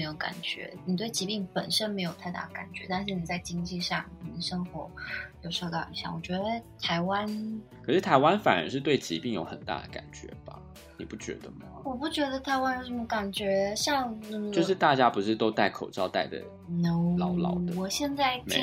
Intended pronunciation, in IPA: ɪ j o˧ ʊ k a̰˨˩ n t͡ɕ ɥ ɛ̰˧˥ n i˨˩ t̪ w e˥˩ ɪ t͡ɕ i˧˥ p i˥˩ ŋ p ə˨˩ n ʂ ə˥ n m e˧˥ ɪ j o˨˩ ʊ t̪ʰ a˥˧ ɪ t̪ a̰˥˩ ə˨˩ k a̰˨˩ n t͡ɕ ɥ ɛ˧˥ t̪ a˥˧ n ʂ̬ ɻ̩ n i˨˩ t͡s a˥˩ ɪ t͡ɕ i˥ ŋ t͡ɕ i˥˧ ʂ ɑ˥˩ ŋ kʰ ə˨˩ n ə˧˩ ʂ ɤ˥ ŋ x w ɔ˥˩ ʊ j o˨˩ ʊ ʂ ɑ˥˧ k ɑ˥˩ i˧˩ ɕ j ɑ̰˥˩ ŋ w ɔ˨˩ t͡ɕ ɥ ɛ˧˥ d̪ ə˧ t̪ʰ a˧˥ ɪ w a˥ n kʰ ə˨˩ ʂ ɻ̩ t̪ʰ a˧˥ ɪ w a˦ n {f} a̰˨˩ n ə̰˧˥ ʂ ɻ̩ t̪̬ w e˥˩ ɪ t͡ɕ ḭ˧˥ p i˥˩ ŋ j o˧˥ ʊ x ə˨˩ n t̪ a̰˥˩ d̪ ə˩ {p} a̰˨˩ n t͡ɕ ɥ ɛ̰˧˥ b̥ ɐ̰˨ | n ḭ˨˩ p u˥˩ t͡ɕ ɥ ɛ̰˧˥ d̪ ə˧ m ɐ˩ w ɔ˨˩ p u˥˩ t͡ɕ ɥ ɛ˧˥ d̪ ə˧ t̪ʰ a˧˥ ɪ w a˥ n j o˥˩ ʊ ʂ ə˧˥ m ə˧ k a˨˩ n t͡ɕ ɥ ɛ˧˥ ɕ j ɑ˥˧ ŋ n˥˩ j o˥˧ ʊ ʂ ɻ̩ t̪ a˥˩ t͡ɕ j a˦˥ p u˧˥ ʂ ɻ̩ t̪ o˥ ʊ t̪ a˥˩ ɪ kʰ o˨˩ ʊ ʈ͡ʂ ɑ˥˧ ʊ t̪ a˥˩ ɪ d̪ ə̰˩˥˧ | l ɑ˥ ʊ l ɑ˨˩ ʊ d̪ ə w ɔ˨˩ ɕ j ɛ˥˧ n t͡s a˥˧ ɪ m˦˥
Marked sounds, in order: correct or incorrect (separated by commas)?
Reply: correct, incorrect